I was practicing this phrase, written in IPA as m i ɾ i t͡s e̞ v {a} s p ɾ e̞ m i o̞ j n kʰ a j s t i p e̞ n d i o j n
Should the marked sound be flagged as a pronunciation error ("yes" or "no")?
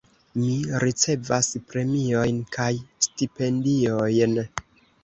no